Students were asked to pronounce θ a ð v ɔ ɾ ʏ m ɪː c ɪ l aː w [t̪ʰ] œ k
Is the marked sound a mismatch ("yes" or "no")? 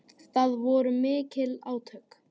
no